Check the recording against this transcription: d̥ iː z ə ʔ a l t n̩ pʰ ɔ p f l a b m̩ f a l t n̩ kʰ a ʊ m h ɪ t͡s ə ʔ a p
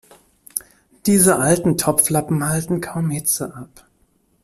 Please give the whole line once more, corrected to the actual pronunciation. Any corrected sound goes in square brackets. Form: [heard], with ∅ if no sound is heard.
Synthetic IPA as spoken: d̥ iː z ə ʔ a l t n̩ [tʰ] ɔ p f l a [p] m̩ [h] a l t n̩ kʰ a ʊ m h ɪ t͡s ə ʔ a p

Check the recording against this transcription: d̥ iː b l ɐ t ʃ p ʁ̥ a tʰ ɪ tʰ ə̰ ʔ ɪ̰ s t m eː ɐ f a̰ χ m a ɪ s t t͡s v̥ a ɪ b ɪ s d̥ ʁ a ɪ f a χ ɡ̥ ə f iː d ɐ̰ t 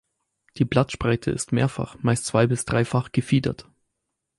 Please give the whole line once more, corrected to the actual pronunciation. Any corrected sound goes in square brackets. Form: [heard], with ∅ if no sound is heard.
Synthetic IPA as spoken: d̥ iː b l [a] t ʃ p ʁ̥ a [∅] ɪ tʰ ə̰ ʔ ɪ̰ s t m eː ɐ f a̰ χ m a ɪ s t t͡s v̥ a ɪ b ɪ s d̥ ʁ a ɪ f a χ ɡ̥ ə f iː d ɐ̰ t

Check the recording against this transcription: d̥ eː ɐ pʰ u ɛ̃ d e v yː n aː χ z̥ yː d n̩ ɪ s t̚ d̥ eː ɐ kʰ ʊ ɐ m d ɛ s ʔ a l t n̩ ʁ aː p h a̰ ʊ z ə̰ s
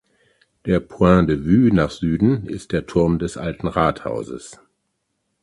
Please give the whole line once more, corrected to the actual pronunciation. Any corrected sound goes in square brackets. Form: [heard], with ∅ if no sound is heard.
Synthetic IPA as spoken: d̥ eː ɐ pʰ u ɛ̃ d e v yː n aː χ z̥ yː d n̩ ɪ s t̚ d̥ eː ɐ [tʰ] ʊ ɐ m d ɛ s ʔ a l t n̩ ʁ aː [t] h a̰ ʊ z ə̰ s

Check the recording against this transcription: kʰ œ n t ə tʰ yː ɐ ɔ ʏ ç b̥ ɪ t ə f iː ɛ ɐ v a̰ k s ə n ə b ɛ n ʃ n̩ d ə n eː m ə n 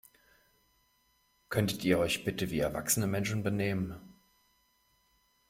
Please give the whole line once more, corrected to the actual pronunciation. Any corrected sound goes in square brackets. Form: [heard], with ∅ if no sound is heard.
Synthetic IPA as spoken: kʰ œ n t ə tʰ [iː] ɐ ɔ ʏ ç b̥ ɪ t ə [v] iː ɛ ɐ v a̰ k s ə n ə [m] ɛ n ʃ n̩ [b] ə n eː m ə n

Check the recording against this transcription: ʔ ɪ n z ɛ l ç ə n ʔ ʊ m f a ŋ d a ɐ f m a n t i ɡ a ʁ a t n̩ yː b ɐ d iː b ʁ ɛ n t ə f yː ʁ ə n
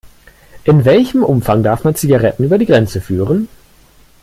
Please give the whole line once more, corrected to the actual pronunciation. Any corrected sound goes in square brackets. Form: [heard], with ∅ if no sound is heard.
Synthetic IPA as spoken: ʔ ɪ n [v] ɛ l ç ə [m] ʔ ʊ m f a ŋ d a ɐ f m a n [t͡s] i ɡ a ʁ [ɛ] t n̩ yː b ɐ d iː [ɡ] ʁ ɛ n [t͡s] ə f yː ʁ ə n

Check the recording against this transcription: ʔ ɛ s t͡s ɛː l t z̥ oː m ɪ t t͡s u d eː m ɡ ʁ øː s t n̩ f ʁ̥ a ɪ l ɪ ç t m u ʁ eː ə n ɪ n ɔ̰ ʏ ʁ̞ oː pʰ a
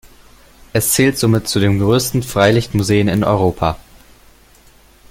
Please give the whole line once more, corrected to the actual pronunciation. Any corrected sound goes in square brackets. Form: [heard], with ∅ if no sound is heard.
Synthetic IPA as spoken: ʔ ɛ s t͡s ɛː l t z̥ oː m ɪ t t͡s u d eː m ɡ ʁ øː s t n̩ f ʁ̥ a ɪ l ɪ ç t m u [z] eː ə n ɪ n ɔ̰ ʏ ʁ̞ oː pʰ a

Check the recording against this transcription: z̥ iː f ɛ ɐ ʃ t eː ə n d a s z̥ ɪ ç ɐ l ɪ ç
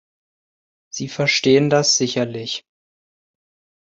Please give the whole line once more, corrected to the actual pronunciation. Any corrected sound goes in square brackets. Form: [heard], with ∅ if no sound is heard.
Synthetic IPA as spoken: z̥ iː f ɛ ɐ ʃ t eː ə n d a s z̥ ɪ ç ɐ l ɪ ç

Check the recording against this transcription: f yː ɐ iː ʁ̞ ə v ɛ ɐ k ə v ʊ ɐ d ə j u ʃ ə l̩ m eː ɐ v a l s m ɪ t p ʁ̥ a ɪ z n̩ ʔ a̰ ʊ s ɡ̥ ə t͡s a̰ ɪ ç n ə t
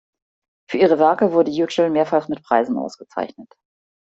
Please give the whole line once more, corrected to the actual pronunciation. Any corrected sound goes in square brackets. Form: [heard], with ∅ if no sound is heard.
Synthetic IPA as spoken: f yː ɐ iː ʁ̞ ə v ɛ ɐ k ə v ʊ ɐ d ə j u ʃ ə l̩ m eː ɐ [f] a l s m ɪ t p ʁ̥ a ɪ z n̩ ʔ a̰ ʊ s ɡ̥ ə t͡s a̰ ɪ ç n ə t

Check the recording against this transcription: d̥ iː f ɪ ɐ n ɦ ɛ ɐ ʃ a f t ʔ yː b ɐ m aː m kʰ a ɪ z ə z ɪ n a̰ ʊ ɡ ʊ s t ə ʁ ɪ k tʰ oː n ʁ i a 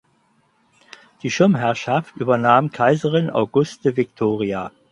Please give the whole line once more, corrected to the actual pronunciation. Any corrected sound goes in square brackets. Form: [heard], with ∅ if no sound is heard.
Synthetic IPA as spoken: d̥ iː [ʃ] ɪ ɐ [m] ɦ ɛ ɐ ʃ a f t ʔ yː b ɐ [n] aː m kʰ a ɪ z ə [ʁ] ɪ n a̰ ʊ ɡ ʊ s t ə [v] ɪ k tʰ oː [∅] ʁ i a

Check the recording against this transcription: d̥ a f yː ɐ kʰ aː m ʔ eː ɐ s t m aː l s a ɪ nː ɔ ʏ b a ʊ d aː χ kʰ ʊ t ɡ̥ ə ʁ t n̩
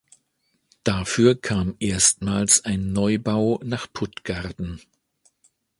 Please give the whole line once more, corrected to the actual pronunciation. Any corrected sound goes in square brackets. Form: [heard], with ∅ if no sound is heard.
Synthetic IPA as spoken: d̥ a f yː ɐ kʰ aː m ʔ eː ɐ s t m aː l s a ɪ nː ɔ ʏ b a ʊ [n] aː χ [pʰ] ʊ t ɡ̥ [a] ʁ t n̩

